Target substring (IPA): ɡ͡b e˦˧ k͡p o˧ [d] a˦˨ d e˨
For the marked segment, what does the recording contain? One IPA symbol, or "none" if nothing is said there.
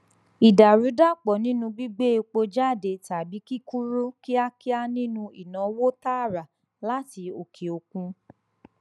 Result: d͡ʒ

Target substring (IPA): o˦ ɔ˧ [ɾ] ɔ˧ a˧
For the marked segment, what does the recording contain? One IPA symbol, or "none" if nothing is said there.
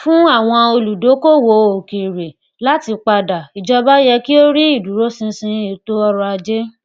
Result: ɾ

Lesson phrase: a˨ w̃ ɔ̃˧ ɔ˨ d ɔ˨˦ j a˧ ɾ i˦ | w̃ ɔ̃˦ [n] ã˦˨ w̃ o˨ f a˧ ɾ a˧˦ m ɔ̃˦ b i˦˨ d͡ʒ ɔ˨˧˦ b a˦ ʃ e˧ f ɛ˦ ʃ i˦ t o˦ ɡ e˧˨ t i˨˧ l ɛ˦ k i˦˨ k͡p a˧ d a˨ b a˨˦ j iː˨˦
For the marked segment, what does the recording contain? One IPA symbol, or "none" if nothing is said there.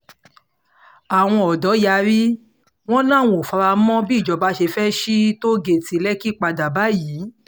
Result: n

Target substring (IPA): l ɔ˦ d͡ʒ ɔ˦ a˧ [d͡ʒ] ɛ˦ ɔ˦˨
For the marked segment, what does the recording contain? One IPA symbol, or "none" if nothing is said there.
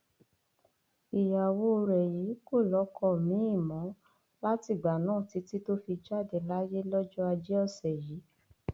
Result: d͡ʒ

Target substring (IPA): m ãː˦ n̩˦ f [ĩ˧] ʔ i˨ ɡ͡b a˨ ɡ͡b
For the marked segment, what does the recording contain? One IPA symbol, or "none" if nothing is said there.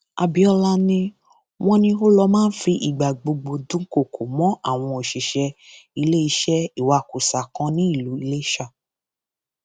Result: i˧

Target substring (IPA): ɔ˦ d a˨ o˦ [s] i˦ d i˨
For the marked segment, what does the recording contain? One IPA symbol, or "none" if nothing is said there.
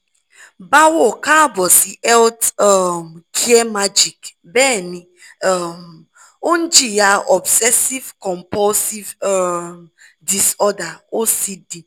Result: s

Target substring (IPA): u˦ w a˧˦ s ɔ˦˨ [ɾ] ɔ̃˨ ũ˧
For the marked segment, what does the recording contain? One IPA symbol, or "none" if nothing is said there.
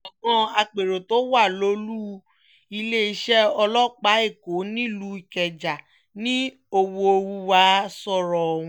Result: ɾ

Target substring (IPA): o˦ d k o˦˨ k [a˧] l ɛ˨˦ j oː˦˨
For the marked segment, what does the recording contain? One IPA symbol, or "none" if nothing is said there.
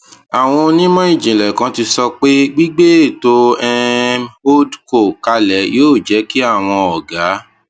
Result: a˧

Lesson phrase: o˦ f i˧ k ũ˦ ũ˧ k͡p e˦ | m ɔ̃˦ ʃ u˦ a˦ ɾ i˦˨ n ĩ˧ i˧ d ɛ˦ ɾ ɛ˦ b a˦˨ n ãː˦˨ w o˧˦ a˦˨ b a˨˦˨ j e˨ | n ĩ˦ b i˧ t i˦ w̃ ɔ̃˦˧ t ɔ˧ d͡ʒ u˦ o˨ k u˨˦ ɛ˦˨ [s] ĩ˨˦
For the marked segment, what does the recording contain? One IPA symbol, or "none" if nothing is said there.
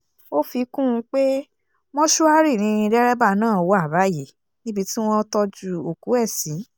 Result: s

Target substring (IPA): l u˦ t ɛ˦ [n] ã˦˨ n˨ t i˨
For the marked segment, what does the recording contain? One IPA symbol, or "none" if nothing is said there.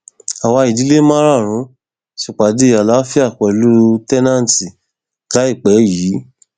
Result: n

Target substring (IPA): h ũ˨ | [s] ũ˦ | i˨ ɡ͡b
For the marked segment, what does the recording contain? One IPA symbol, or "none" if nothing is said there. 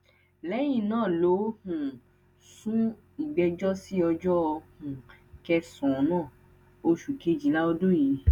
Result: s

